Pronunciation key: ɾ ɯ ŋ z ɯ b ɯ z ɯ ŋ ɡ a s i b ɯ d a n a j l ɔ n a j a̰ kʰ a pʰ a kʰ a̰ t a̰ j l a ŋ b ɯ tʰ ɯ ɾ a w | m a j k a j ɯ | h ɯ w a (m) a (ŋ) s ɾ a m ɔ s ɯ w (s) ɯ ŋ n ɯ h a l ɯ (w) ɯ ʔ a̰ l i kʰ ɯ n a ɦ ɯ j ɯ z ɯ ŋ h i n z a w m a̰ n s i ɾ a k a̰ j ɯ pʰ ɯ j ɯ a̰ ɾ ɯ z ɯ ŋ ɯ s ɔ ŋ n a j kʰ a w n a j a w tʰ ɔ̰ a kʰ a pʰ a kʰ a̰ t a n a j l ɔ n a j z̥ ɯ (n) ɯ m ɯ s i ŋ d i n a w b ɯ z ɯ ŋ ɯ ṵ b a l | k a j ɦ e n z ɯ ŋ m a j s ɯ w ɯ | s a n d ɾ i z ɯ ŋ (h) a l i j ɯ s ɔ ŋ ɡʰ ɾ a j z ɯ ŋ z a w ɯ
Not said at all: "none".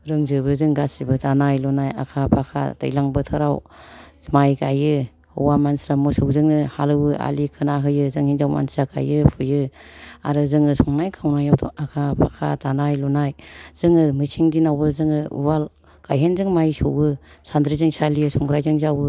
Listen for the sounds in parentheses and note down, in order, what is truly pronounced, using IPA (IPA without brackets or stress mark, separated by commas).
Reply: m, n, z, w, ŋ, s